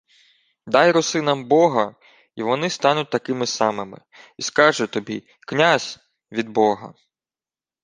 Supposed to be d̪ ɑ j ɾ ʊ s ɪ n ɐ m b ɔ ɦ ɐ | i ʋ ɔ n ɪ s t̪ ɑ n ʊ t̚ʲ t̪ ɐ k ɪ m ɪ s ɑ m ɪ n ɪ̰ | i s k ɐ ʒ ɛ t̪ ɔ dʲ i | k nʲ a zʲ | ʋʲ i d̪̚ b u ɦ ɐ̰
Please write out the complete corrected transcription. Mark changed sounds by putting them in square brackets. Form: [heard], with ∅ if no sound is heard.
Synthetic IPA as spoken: d̪ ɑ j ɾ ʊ s ɪ n ɐ m b ɔ ɦ ɐ | i ʋ ɔ n ɪ s t̪ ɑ n ʊ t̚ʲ t̪ ɐ k ɪ m ɪ s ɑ m ɪ [m] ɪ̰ | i s k [ɑ] ʒ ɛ t̪ ɔ [bʲ] i | k nʲ a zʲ | ʋʲ i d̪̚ b [ɔ] ɦ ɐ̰